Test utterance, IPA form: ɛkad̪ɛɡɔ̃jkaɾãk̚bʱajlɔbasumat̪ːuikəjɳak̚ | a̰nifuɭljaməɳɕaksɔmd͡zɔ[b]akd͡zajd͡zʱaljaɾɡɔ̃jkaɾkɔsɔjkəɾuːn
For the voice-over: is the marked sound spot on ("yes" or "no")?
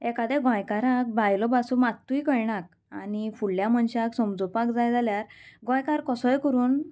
no